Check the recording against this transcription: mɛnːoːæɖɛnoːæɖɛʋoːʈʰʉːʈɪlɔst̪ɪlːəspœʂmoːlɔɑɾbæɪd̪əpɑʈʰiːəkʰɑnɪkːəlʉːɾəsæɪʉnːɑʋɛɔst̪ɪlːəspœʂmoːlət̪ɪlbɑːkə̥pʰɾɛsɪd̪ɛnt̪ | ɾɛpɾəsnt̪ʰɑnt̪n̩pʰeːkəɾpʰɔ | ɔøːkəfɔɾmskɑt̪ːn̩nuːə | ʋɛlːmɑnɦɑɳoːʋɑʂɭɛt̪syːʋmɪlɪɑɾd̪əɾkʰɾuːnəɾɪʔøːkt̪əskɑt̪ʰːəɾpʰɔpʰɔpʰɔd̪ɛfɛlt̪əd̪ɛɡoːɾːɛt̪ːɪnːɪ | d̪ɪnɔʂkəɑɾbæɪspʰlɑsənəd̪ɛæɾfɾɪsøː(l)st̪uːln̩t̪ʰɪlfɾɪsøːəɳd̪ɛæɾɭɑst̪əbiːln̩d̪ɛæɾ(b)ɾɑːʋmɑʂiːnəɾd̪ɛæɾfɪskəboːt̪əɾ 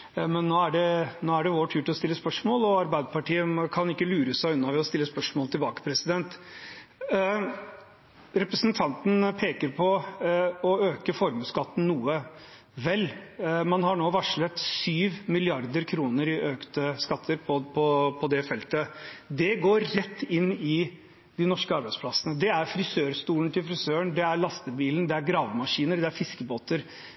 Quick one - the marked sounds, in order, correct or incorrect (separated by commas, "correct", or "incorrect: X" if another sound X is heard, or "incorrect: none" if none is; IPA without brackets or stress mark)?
incorrect: ɾ, incorrect: ɡ